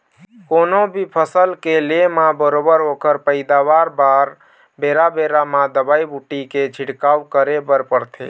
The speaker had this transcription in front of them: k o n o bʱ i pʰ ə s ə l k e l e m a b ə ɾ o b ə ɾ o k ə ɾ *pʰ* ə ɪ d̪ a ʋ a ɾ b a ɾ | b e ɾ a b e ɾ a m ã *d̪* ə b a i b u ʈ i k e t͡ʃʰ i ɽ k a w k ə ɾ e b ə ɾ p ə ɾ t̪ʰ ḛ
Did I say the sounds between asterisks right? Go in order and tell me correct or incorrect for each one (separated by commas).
incorrect, correct